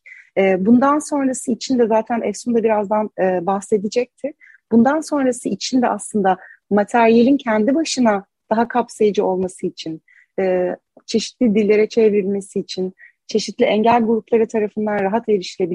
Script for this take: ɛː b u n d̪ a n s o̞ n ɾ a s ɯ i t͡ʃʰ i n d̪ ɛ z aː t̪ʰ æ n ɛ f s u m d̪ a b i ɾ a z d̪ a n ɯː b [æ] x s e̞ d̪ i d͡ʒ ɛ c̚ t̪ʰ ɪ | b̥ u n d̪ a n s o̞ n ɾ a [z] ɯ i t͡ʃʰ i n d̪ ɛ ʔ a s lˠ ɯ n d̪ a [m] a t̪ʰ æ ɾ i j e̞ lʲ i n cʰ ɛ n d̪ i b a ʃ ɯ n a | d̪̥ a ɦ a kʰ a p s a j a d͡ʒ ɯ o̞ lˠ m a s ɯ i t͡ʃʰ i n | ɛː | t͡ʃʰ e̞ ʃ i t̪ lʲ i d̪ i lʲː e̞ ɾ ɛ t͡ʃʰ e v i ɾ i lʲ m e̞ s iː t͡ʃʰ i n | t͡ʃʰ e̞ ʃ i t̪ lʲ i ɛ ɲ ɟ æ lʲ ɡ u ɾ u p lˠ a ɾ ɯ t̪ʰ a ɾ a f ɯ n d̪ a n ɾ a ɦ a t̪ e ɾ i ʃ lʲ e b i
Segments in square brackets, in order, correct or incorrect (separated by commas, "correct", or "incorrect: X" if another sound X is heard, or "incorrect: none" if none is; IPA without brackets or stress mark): incorrect: a, incorrect: s, correct